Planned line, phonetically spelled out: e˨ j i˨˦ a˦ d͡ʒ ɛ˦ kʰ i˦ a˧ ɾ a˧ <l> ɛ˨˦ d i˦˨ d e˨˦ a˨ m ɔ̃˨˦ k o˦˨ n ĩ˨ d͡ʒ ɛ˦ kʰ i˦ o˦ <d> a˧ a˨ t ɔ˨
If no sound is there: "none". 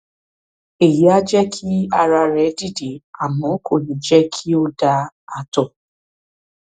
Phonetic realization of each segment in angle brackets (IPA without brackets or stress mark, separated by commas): ɾ, d